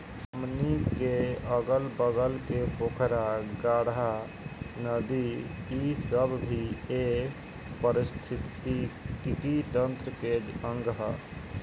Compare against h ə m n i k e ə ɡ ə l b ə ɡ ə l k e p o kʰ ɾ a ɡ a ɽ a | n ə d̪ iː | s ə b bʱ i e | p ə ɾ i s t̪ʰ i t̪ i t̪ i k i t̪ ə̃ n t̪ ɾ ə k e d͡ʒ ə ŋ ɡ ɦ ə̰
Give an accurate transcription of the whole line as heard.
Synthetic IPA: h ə m n i k e ə ɡ ə l b ə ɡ ə l k e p o kʰ ɾ a ɡ a ɽ a | n ə d̪ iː | s ə b bʱ i e | p ə ɾ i s t̪ʰ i t̪ i t̪ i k i t̪ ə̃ n t̪ ɾ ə k e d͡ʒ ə ŋ ɡ ɦ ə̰